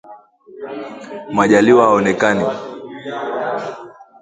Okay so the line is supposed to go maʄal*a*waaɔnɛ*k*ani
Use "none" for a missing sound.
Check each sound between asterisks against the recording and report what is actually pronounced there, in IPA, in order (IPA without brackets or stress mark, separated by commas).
i, k